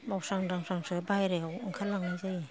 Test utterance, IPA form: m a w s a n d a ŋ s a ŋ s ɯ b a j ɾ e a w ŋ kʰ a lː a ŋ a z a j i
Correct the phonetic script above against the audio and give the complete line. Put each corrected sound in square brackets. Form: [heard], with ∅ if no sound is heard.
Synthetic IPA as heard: m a w s a [ŋ] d a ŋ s a ŋ s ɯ b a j ɾ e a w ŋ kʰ a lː a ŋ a z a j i